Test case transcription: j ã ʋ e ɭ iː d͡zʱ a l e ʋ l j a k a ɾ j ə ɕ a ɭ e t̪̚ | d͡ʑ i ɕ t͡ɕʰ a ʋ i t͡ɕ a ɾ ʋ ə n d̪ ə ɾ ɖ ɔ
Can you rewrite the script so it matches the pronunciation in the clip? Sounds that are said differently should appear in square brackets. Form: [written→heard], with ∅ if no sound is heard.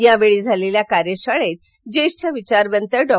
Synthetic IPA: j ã ʋ e ɭ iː d͡zʱ a l e [ʋ→∅] l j a k a ɾ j ə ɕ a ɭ e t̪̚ | d͡ʑ [i→e] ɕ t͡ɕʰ a ʋ i t͡ɕ a ɾ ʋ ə n [d̪→t̪] ə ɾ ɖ ɔ